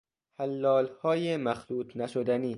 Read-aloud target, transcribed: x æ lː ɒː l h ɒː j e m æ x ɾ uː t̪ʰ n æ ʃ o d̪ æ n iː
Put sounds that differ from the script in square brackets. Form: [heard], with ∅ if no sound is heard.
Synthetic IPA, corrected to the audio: [h] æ lː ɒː l h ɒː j e m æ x [l] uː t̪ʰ n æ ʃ o d̪ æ n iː